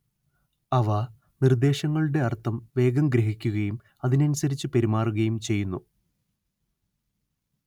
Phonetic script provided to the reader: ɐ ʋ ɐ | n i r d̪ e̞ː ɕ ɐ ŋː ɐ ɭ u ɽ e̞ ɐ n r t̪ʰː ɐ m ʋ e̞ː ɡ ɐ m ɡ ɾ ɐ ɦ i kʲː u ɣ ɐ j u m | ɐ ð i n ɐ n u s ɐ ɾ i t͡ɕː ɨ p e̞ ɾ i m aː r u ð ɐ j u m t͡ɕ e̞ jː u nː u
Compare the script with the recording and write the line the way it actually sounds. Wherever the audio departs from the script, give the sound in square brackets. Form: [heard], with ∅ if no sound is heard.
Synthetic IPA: ɐ ʋ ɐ | n i r d̪ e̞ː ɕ ɐ ŋː ɐ ɭ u ɽ e̞ ɐ [∅] r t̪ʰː ɐ m ʋ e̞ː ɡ ɐ m ɡ ɾ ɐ ɦ i kʲː u ɣ ɐ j u m | ɐ ð i n ɐ n u s ɐ ɾ i t͡ɕː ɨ p e̞ ɾ i m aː r u [ɣ] ɐ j u m t͡ɕ e̞ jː u nː u